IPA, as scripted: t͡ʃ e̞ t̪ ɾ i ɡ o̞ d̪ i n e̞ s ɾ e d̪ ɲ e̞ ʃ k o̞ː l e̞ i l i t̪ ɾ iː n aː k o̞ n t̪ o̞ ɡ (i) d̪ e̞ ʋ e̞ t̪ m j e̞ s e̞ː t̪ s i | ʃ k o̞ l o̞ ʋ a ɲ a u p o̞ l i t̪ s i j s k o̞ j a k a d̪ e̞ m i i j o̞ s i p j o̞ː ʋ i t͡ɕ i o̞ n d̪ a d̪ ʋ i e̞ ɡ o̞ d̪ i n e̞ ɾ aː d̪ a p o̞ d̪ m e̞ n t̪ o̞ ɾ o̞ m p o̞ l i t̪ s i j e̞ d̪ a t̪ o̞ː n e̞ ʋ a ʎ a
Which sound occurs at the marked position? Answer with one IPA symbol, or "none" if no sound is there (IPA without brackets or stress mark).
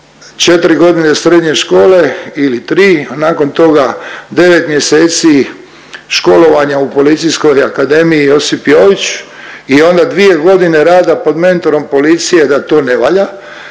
a